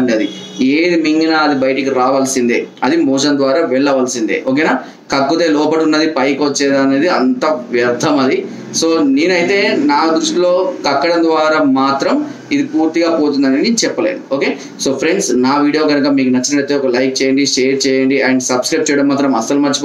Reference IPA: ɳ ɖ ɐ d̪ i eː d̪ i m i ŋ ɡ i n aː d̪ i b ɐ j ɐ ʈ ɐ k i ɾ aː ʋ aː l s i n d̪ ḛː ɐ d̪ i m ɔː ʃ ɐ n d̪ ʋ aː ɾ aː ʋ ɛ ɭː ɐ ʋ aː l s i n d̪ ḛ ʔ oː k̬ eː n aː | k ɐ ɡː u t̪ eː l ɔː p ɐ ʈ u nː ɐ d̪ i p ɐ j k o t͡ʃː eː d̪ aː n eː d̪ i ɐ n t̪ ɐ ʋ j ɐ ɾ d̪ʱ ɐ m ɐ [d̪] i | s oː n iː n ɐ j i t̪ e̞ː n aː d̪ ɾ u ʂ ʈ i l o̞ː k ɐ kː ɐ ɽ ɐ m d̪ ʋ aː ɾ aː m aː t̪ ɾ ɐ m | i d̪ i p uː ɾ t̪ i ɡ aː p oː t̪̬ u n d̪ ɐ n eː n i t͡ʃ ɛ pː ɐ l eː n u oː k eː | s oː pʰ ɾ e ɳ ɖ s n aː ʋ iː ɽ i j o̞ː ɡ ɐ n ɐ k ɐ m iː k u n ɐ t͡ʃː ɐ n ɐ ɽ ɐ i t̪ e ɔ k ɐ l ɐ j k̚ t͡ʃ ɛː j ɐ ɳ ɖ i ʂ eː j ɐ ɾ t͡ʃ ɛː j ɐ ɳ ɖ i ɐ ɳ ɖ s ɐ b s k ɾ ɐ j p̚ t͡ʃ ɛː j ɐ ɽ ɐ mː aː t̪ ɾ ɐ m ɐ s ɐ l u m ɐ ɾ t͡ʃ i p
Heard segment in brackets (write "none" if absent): d̪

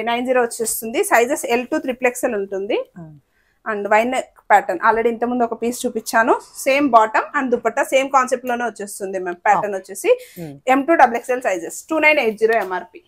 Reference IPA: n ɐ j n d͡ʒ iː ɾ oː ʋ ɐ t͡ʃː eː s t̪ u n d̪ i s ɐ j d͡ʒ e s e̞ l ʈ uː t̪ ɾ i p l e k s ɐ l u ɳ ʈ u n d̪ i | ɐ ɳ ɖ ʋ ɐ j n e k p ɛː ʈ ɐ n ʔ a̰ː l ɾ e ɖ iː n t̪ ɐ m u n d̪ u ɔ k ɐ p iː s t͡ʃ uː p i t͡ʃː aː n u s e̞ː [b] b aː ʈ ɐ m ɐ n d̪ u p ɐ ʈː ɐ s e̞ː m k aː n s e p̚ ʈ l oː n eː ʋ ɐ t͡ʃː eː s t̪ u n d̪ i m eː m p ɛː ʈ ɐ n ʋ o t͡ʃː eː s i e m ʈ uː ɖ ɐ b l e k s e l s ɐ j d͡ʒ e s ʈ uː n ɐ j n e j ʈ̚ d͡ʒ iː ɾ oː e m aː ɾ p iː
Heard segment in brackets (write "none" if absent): m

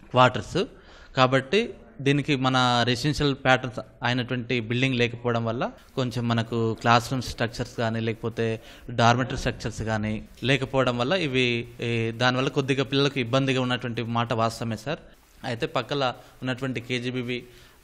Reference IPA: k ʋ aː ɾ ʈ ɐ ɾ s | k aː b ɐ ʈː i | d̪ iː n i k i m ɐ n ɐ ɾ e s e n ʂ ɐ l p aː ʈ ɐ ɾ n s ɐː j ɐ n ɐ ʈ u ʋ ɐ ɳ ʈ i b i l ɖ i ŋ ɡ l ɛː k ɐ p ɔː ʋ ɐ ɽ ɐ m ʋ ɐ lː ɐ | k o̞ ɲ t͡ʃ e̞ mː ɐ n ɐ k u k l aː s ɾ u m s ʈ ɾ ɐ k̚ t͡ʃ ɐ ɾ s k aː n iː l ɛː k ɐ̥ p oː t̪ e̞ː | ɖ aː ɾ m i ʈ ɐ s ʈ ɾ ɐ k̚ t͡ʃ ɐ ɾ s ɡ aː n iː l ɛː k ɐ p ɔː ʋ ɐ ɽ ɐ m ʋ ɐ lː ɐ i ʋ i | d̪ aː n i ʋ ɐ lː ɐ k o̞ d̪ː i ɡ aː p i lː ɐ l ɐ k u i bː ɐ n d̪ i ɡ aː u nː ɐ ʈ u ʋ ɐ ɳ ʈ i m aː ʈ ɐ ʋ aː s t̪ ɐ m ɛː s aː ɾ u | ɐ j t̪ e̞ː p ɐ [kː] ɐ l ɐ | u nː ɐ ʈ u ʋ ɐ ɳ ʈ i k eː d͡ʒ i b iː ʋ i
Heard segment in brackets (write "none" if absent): kː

